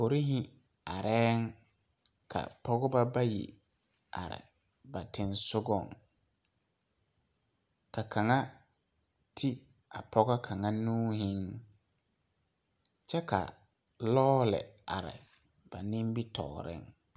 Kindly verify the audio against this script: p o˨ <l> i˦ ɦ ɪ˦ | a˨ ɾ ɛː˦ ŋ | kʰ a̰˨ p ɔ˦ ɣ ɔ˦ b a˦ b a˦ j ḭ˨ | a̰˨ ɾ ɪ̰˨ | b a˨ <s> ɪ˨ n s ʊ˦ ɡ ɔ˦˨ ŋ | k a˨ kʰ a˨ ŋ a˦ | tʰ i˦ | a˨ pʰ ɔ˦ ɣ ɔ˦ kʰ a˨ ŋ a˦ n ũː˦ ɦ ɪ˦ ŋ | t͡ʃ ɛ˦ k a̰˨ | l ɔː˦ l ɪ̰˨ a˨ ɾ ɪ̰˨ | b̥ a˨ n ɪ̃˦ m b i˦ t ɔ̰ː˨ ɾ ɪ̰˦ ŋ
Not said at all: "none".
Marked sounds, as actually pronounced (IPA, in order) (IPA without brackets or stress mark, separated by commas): ɾ, t